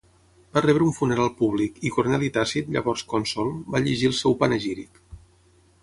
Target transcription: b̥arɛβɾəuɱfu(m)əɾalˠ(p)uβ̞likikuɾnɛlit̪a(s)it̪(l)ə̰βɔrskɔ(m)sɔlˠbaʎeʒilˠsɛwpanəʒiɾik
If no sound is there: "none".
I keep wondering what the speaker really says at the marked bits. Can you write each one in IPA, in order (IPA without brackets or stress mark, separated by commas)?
n, p, s, ʎ, n